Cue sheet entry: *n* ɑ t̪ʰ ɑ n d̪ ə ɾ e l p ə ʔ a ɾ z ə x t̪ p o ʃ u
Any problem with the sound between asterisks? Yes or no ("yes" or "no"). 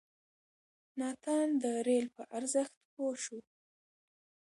no